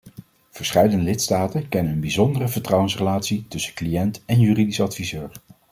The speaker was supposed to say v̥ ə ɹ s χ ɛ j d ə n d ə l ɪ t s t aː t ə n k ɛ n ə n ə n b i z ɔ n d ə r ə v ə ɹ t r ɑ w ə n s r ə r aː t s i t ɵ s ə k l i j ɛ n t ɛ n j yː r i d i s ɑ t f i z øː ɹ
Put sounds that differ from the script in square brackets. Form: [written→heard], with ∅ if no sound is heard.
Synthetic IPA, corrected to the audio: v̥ ə ɹ s χ ɛ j d ə n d ə l ɪ t s t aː t ə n k ɛ n ə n ə n b i z ɔ n d ə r ə v ə ɹ t r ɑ w ə n s r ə [r→l] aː t s i t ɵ s ə k l i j ɛ n t ɛ n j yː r i d i s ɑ t f i z øː ɹ